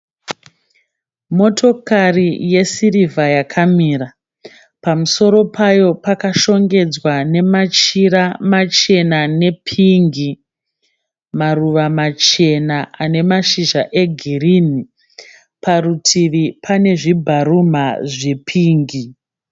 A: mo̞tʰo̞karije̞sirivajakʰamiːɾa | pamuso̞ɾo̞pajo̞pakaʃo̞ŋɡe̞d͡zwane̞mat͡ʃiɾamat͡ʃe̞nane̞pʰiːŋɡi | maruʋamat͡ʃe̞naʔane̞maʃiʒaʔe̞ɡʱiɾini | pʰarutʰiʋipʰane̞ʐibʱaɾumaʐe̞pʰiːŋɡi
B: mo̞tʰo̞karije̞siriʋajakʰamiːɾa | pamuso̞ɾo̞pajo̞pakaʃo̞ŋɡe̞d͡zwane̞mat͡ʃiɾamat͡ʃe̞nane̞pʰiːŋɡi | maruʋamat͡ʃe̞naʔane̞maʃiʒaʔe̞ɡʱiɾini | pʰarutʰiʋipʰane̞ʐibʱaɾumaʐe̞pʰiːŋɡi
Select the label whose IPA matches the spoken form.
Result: A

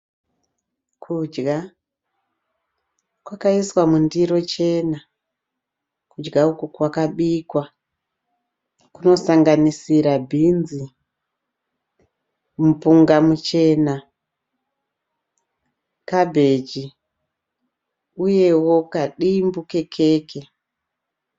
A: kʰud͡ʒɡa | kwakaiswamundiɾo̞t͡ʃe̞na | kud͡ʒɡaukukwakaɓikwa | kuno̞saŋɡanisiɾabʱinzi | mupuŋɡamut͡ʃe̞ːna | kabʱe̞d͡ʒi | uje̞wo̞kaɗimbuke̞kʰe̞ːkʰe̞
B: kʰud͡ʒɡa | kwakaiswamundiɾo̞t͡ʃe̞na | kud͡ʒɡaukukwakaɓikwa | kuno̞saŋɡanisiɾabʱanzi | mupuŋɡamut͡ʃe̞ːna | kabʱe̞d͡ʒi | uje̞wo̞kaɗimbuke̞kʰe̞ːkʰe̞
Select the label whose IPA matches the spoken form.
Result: A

